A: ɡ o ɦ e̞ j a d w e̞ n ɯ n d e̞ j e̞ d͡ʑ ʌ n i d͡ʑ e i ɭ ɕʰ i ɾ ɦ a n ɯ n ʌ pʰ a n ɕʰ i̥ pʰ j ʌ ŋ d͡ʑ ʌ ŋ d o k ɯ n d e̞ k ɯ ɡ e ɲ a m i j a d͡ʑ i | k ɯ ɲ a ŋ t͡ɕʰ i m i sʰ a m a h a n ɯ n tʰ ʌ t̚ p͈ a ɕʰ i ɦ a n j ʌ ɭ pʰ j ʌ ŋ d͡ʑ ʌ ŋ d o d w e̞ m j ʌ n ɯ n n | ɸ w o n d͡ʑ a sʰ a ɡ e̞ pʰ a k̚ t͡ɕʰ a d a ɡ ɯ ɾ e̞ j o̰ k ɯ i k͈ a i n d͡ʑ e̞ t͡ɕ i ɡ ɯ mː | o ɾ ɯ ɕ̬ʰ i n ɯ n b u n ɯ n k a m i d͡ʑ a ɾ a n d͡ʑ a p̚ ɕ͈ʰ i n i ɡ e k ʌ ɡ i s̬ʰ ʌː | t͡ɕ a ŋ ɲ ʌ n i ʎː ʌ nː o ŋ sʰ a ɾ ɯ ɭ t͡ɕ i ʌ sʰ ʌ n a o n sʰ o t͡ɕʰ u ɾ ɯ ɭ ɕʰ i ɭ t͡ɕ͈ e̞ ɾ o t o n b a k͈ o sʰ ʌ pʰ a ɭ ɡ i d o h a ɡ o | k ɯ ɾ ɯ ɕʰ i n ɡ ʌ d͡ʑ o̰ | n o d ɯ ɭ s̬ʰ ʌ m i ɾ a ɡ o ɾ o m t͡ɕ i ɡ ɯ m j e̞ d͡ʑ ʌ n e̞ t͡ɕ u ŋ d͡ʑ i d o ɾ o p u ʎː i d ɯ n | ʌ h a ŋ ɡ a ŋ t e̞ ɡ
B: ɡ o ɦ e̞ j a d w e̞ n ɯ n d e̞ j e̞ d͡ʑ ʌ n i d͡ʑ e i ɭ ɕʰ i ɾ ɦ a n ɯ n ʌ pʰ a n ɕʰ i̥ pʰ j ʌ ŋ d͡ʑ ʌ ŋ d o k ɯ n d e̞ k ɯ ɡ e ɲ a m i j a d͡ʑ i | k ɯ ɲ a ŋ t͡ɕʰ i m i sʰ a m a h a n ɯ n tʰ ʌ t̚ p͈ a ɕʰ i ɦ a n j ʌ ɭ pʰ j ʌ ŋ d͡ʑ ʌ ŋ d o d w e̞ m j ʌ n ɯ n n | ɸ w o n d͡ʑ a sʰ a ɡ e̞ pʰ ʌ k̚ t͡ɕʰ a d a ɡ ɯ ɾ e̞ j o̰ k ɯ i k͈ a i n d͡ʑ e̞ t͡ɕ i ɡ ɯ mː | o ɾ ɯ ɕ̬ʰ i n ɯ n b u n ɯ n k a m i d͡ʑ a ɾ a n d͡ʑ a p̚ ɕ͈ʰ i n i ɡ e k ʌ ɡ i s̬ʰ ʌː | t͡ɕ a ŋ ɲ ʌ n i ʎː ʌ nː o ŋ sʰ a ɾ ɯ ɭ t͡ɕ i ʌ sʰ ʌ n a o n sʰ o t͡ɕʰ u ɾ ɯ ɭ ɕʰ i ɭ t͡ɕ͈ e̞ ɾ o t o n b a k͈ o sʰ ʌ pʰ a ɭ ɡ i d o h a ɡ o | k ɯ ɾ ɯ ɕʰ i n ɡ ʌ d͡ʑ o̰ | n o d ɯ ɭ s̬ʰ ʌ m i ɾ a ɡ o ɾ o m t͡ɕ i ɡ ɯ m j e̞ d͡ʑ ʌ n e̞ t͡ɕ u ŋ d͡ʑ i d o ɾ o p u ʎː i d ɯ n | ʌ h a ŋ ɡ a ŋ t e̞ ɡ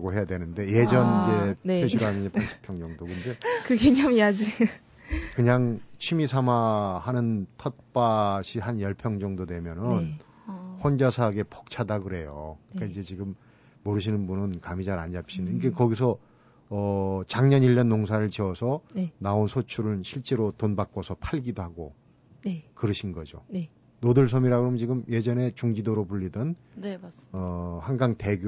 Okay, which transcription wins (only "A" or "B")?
B